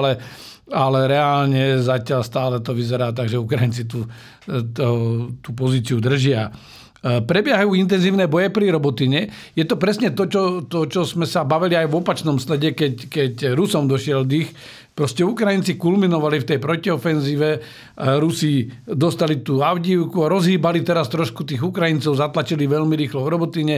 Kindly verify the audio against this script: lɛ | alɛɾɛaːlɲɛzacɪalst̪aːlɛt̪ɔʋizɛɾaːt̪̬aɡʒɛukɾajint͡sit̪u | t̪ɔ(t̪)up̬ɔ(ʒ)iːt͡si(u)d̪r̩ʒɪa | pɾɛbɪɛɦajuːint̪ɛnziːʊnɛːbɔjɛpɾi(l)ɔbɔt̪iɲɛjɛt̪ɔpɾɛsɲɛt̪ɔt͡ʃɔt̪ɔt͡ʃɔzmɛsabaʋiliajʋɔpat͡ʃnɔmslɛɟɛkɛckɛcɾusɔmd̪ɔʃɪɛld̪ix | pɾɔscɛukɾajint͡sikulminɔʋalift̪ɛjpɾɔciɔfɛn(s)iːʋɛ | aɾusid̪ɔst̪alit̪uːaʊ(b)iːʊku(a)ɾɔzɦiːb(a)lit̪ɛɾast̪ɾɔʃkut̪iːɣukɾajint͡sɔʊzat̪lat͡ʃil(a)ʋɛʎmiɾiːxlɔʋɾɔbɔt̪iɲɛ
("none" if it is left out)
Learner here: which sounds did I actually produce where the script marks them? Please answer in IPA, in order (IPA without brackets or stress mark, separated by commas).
t̪, z, u, ɾ, z, ɟ, a, a, i